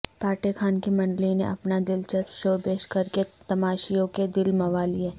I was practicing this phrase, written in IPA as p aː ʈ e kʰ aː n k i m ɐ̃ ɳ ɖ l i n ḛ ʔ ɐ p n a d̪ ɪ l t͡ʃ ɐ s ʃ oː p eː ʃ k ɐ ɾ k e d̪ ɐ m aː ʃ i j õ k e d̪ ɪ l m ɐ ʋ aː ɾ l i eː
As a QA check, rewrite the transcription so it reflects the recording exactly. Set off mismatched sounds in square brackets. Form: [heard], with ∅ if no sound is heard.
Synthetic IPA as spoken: p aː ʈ e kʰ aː n k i m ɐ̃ ɳ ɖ l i n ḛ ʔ ɐ p n a d̪ ɪ l t͡ʃ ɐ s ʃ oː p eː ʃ k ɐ ɾ k e [t̪] ɐ m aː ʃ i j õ k e d̪ ɪ l m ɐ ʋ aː [∅] l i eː